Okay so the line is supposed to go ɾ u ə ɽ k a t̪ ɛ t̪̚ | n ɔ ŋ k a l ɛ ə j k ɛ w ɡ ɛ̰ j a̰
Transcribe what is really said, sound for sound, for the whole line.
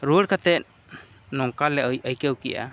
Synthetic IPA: ɾ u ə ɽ k a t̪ ɛ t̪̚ | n ɔ ŋ k a l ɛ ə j k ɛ w k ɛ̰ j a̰